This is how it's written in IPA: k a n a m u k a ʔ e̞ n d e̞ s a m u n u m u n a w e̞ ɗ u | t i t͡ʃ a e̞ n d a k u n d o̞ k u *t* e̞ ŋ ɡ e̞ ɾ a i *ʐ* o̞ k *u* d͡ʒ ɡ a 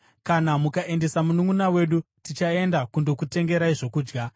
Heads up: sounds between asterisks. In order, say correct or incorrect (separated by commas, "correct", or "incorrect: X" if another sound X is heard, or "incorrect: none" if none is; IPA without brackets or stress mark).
correct, correct, incorrect: uː